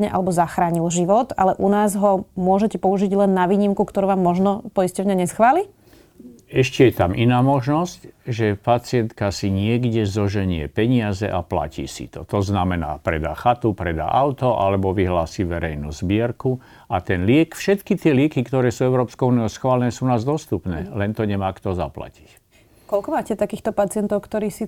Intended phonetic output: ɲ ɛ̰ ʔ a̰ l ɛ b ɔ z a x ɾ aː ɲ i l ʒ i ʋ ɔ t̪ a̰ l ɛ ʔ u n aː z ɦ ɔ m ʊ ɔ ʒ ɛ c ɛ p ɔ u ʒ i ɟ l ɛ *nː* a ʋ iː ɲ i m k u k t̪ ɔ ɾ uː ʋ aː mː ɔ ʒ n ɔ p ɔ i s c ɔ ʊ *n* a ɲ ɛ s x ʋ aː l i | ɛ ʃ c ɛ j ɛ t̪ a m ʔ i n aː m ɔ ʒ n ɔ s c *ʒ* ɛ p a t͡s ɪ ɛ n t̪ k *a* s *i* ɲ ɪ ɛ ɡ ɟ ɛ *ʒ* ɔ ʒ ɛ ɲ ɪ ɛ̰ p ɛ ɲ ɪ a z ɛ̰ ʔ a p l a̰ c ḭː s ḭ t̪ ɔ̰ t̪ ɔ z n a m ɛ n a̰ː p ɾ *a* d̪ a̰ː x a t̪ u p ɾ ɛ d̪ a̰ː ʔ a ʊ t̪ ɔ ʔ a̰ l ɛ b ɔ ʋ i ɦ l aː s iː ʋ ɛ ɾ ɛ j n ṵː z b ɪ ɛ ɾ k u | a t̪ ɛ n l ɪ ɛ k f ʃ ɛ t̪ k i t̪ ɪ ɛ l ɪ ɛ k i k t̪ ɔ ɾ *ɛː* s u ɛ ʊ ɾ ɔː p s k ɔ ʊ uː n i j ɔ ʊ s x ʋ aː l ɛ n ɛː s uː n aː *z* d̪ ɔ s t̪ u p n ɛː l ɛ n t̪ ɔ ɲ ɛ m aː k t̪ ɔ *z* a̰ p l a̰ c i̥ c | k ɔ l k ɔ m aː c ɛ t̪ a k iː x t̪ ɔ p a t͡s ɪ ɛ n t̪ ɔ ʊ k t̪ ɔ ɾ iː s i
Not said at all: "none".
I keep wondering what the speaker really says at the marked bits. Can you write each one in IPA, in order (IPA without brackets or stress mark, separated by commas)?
nː, ɲ, ʒ, a, i, z, ɛ, ɛː, z, z